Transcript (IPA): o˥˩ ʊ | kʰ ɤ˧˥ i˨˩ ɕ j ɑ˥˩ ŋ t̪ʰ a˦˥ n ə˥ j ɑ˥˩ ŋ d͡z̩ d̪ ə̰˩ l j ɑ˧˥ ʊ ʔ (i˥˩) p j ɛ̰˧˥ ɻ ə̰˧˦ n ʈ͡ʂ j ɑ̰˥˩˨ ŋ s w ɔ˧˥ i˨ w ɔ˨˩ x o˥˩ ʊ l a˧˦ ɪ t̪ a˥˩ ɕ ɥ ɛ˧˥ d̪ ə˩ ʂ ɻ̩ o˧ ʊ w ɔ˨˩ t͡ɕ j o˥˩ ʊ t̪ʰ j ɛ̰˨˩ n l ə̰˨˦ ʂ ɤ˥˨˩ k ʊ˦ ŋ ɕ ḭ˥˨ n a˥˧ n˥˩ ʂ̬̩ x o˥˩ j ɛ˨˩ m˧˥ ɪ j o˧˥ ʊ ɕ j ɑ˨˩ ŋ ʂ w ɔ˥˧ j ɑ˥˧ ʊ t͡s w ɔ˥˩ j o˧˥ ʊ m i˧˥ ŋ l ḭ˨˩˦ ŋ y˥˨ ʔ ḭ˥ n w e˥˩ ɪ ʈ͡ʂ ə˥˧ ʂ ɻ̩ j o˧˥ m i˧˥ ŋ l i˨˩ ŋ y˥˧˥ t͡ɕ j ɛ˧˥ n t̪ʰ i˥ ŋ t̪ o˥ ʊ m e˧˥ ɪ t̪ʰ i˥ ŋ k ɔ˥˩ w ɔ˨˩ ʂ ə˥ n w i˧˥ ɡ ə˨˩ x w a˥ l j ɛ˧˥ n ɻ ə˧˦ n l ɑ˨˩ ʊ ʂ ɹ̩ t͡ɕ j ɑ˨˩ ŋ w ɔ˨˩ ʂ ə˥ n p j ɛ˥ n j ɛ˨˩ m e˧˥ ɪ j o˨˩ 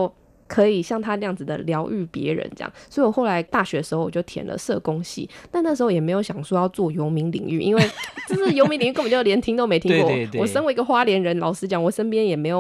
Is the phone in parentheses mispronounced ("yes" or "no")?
yes